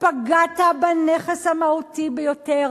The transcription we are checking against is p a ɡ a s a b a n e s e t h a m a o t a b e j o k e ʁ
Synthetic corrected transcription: p a ɡ a t a b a n e χ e s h a m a u t i b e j o t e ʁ